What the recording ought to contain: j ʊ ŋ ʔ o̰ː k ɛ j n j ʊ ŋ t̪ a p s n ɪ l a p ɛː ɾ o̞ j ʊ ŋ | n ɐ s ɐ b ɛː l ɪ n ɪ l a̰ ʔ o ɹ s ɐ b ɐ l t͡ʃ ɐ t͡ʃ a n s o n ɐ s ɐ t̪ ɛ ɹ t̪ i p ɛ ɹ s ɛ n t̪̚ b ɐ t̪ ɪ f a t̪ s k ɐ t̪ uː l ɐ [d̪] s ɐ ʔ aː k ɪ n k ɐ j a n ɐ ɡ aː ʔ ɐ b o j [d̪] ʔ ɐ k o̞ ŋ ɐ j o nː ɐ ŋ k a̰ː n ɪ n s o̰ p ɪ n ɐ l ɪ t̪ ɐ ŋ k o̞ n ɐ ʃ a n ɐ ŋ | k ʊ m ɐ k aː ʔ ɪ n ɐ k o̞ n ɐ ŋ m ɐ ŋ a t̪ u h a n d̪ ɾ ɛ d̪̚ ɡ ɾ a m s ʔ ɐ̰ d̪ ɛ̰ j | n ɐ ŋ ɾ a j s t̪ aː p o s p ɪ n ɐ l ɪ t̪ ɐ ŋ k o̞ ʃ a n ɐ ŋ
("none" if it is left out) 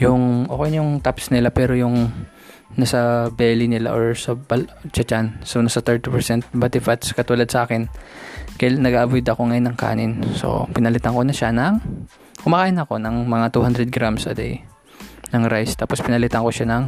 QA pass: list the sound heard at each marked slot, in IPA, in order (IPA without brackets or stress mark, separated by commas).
d̪, d̪